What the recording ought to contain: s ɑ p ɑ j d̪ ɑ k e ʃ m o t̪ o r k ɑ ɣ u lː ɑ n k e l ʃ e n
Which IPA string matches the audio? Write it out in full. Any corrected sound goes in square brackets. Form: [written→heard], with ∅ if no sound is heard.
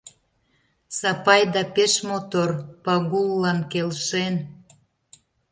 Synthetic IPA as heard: s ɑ p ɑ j d̪ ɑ [k→p] e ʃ m o t̪ o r [k→p] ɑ ɣ u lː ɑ n k e l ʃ e n